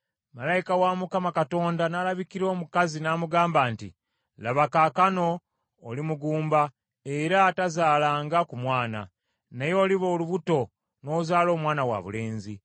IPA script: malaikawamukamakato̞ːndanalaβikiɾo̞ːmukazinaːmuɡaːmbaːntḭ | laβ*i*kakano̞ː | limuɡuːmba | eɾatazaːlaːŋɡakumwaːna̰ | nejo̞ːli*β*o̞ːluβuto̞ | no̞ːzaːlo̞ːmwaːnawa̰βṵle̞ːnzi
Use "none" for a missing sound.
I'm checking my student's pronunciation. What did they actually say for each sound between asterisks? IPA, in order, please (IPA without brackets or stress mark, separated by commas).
a, β